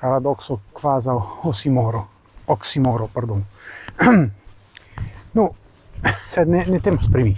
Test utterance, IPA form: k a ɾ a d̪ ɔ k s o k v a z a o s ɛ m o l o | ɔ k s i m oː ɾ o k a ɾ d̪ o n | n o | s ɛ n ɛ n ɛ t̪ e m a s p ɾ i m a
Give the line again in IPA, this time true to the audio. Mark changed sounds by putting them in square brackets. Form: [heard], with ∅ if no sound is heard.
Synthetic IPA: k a ɾ a d̪ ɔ k s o k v a z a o s [i] m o [ɾ] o | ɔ k s i m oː ɾ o [p] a ɾ d̪ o n | n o | s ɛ n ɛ n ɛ t̪ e m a s p ɾ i m [i]